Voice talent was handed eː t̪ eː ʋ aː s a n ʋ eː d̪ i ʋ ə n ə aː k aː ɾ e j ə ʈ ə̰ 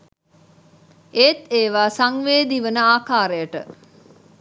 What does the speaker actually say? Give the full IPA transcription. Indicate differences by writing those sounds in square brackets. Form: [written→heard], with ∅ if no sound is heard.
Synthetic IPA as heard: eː t̪ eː ʋ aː s a [n→ŋ] ʋ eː d̪ i ʋ ə n ə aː k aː ɾ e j ə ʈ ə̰